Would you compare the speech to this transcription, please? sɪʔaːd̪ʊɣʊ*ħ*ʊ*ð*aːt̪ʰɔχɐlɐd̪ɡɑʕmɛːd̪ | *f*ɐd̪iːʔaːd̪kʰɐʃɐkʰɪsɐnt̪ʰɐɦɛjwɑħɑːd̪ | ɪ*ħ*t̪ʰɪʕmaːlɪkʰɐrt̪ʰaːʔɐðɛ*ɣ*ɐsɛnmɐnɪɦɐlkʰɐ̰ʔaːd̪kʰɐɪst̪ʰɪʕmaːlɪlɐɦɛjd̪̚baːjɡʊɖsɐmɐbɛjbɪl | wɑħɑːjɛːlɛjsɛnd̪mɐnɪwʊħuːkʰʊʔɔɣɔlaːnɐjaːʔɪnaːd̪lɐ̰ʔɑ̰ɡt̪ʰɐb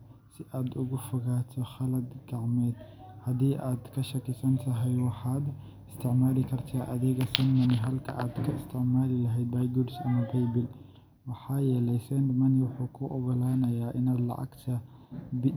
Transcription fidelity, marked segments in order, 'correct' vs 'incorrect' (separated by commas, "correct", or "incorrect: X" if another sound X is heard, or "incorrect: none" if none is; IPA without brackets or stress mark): incorrect: f, incorrect: ɣ, incorrect: h, incorrect: s, correct